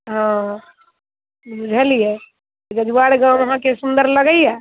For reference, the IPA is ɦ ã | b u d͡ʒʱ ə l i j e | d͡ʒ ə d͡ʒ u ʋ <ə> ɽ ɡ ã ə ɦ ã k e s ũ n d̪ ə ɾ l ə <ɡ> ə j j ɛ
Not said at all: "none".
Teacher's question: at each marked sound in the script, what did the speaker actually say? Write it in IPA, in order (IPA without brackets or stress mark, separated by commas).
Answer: a, ɡ